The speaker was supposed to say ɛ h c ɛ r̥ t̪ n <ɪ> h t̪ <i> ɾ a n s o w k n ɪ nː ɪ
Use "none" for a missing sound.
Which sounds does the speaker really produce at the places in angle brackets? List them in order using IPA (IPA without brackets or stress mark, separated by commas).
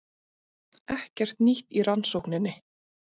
i, i